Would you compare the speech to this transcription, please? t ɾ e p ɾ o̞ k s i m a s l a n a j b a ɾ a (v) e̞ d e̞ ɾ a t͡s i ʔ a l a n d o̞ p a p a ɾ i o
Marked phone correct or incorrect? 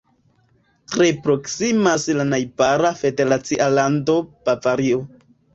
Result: incorrect: f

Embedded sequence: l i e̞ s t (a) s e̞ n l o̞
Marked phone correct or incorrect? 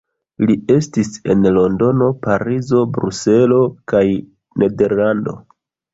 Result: incorrect: i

